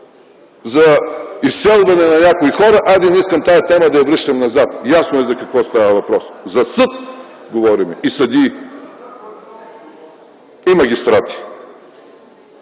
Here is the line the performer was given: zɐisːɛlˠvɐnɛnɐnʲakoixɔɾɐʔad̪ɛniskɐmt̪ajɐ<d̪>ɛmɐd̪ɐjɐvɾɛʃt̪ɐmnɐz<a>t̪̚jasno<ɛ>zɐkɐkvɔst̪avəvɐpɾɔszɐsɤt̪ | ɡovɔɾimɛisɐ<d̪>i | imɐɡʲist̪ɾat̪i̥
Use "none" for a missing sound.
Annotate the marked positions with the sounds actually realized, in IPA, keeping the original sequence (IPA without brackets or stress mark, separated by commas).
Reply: t̪, a, ɛ, d̪